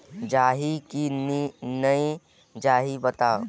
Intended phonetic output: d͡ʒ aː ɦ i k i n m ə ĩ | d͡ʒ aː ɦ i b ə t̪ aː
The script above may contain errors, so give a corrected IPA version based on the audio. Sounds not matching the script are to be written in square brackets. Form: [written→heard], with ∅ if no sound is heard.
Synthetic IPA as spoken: d͡ʒ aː ɦ i k i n [m→n] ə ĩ | d͡ʒ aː ɦ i b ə t̪ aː